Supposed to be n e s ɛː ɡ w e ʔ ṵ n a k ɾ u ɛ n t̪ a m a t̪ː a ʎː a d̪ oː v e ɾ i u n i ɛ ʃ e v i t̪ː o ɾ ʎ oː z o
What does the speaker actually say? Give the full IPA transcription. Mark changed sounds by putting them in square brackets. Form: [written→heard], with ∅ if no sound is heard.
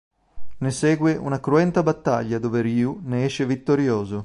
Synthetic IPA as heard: n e s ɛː ɡ w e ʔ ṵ n a k ɾ u ɛ n t̪ a [m→b] a t̪ː a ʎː a d̪ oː v e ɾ i u n [i→e] ɛ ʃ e v i t̪ː o ɾ [ʎ→j] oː z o